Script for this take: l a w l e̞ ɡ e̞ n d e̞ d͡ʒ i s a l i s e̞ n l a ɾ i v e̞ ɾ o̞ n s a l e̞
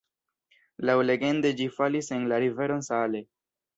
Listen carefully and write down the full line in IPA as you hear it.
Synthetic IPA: l a w l e̞ ɡ e̞ n d e̞ d͡ʒ i f a l i s e̞ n l a ɾ i v e̞ ɾ o̞ n s a l e̞